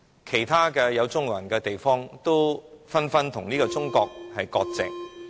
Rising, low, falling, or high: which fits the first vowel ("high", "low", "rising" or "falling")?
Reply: low